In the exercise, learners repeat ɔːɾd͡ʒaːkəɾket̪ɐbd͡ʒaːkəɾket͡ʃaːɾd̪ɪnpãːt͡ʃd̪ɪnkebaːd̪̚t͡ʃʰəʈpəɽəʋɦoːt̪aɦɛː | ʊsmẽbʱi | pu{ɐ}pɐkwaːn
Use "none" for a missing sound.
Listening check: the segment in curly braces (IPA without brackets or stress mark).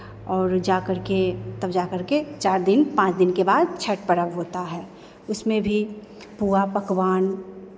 a